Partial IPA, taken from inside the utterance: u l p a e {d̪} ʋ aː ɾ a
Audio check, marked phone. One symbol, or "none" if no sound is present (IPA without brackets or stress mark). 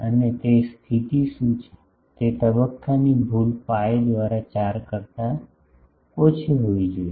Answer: d̪